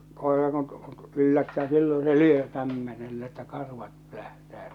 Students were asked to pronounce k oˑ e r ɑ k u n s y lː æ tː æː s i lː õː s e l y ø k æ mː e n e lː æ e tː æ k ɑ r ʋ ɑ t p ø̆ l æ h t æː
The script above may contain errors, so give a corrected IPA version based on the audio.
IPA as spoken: k oˑ e r ɑ k u n t y lː æ tː æː s i lː õː s e l y ø k æ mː e n e lː æ e tː æ k ɑ r ʋ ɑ t p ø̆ l æ h t æː